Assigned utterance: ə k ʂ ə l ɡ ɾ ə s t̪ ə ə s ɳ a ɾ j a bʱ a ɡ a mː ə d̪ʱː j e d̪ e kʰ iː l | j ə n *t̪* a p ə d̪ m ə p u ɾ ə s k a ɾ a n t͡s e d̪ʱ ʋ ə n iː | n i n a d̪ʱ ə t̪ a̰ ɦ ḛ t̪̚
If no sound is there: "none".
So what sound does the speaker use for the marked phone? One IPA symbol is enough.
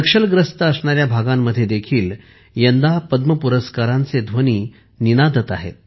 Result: d̪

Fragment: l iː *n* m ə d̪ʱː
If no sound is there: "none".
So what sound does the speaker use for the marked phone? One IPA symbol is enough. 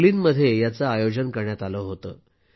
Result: n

